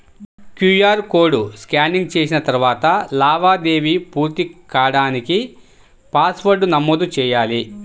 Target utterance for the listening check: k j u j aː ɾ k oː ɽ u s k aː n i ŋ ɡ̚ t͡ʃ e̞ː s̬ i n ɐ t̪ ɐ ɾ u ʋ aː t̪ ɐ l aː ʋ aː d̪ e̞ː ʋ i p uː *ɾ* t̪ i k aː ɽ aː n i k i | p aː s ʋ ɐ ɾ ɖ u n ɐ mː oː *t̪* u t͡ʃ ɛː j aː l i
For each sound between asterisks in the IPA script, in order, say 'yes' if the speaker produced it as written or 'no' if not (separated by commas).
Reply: yes, no